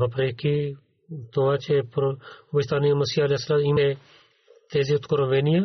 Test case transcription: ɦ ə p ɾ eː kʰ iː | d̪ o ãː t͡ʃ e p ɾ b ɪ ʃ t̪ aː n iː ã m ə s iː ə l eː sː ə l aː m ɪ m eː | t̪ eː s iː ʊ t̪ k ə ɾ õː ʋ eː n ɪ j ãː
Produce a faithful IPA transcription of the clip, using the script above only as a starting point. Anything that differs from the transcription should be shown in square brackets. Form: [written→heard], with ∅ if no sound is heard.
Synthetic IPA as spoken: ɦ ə p ɾ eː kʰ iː | [d̪→t̪] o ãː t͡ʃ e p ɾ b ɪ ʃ t̪ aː n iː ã m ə s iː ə l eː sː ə l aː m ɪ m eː | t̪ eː [s→z] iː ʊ t̪ k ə ɾ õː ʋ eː n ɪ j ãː